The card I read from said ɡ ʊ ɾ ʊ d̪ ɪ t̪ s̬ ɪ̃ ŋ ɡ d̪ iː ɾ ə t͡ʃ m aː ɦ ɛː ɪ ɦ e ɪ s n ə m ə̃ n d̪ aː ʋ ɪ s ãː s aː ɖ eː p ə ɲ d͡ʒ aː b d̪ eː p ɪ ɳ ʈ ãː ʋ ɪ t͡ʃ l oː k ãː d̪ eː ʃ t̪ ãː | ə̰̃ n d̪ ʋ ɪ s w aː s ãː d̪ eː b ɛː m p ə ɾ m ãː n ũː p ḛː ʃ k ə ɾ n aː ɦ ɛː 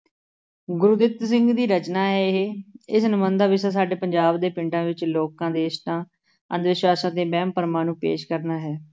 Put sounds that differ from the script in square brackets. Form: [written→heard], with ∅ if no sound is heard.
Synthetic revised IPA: ɡ ʊ ɾ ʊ d̪ ɪ t̪ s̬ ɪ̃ ŋ ɡ d̪ iː ɾ ə t͡ʃ [m→n] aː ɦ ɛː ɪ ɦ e ɪ s n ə m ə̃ n d̪ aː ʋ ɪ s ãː s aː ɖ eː p ə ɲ d͡ʒ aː b d̪ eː p ɪ ɳ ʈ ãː ʋ ɪ t͡ʃ l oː k ãː d̪ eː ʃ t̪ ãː | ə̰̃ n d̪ ʋ ɪ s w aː s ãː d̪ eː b ɛː m p ə ɾ m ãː n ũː p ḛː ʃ k ə ɾ n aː ɦ ɛː